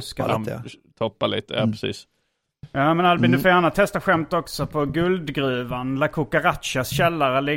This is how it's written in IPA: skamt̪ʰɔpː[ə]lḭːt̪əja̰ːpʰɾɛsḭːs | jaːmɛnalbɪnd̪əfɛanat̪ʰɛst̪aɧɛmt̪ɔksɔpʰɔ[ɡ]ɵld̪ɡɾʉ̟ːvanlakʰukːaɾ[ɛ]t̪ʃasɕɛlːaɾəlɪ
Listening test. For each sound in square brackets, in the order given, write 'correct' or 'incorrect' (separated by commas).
incorrect, correct, incorrect